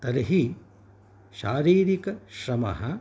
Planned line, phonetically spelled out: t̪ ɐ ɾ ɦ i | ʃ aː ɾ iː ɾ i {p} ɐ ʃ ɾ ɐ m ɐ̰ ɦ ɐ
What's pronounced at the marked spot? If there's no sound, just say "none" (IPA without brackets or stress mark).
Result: k